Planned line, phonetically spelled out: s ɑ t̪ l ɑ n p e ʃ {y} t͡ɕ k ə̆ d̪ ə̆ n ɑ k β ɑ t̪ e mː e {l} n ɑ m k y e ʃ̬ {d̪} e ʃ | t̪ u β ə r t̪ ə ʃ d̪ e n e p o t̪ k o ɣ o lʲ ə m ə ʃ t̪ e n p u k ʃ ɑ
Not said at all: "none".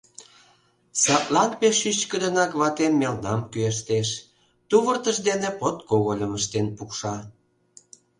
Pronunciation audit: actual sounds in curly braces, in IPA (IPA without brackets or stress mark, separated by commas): y, l, t̪